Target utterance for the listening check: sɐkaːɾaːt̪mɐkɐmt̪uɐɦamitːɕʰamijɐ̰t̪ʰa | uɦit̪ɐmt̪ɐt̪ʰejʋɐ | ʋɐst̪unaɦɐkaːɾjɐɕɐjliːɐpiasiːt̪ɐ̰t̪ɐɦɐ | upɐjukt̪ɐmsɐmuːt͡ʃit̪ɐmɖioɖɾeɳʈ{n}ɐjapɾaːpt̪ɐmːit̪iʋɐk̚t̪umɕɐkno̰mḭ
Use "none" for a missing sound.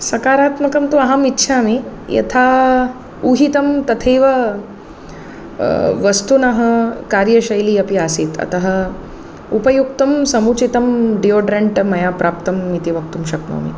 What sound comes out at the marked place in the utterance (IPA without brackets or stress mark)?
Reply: m